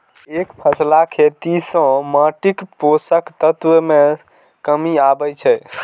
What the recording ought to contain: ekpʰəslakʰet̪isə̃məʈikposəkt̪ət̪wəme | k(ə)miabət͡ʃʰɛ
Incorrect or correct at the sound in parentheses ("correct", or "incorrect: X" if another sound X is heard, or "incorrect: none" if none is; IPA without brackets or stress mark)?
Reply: correct